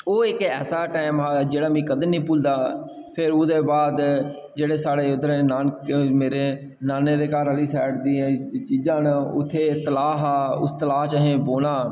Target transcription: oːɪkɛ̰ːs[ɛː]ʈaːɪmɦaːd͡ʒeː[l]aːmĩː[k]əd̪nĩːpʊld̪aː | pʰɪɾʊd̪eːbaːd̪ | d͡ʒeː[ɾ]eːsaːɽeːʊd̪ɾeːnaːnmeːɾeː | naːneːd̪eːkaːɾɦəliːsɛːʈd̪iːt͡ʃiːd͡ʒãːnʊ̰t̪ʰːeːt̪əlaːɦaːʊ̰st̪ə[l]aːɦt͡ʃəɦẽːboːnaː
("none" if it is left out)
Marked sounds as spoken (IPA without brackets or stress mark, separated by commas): aː, ɽ, k, ɽ, l